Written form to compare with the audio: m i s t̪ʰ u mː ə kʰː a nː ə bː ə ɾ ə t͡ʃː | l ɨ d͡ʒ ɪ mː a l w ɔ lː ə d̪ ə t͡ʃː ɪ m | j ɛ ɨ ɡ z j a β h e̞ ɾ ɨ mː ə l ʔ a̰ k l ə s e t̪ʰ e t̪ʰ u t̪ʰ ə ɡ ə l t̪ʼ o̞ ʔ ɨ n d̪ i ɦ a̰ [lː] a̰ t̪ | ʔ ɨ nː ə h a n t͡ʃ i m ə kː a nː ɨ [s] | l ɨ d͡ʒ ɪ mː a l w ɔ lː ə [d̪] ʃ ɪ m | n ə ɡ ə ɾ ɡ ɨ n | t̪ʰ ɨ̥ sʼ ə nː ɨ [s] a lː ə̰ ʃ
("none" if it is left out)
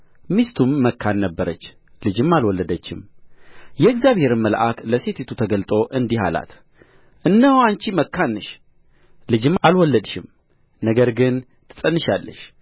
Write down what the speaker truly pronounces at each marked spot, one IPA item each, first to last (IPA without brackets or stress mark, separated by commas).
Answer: l, ʃ, d̪, ʃ